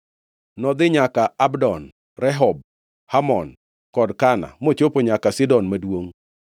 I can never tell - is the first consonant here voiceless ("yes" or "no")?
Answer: no